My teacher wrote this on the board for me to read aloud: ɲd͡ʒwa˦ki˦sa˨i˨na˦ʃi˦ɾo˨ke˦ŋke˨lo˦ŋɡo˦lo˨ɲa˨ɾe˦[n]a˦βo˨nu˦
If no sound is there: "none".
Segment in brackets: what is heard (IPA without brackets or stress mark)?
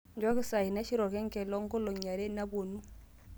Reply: n